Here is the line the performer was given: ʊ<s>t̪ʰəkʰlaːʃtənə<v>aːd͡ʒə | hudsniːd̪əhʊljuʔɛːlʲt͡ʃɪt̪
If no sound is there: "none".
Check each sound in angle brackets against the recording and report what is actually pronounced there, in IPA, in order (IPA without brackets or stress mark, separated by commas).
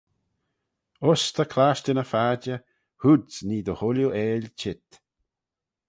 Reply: s, f